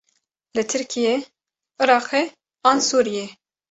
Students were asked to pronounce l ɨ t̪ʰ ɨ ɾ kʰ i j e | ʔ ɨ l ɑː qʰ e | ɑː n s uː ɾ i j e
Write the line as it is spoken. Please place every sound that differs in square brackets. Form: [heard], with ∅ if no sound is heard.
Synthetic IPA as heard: l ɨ t̪ʰ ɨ ɾ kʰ i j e | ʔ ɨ [ɾ] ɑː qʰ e | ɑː n s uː ɾ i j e